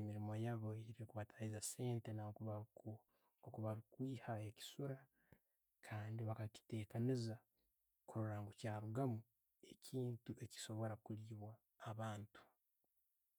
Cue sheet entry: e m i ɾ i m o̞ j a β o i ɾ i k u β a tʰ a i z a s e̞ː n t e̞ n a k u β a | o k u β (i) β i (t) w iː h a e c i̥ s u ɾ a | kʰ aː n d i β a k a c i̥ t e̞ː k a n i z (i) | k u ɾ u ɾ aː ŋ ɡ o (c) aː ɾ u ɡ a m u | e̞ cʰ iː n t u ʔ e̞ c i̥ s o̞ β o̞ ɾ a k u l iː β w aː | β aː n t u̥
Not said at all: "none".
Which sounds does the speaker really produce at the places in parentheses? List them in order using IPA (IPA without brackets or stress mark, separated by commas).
a, k, a, c